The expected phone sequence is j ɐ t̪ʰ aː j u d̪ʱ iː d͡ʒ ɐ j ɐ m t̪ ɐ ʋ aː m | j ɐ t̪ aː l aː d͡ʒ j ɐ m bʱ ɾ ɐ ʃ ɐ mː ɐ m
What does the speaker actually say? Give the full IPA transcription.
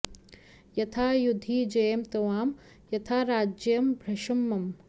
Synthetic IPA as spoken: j ɐ t̪ʰ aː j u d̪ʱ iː d͡ʒ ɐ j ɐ m t̪ ɐ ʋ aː m | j ɐ t̪ʰ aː ɾ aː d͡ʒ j ɐ m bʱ ɾ ɐ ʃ ɐ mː ɐ m